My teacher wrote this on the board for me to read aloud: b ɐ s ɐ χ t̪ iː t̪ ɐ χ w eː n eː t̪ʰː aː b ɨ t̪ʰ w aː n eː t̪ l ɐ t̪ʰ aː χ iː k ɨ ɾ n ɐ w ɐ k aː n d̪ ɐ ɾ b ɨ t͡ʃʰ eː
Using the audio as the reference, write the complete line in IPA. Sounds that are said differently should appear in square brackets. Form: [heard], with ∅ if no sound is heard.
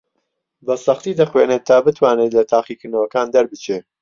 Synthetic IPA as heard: b ɐ s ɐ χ t̪ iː [d̪] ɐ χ w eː n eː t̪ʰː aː b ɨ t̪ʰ w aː n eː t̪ l ɐ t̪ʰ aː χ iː k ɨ ɾ n ɐ w ɐ k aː n d̪ ɐ ɾ b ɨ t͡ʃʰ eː